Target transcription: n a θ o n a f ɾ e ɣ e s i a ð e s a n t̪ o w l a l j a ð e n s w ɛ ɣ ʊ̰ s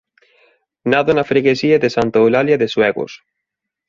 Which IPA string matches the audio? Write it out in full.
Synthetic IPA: n a ð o n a f ɾ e ɣ e s i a ð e s a n t̪ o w l a l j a ð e s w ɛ ɣ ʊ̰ s